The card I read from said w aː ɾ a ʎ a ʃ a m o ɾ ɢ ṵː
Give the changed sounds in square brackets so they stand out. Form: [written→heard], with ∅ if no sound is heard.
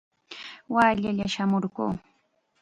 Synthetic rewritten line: w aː [ɾ→ʎ] a ʎ a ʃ a m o ɾ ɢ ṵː